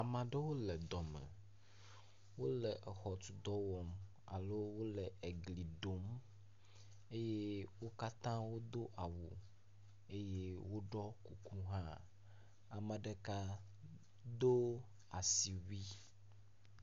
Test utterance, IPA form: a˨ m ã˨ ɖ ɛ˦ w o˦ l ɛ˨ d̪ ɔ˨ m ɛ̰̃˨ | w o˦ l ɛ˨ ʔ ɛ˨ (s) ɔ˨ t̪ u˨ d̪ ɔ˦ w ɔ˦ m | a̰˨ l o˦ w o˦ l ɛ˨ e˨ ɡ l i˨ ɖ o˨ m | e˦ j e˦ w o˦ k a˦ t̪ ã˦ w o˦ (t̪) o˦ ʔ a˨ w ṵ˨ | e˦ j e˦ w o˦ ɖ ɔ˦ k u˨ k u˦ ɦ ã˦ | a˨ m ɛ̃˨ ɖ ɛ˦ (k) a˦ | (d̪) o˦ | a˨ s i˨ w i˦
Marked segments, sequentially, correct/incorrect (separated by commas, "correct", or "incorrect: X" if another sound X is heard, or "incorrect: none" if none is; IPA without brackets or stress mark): incorrect: x, incorrect: d̪, correct, correct